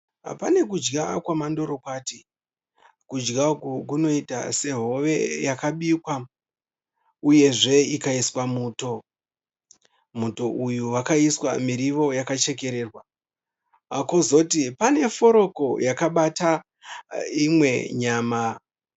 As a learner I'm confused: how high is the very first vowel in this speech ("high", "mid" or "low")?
low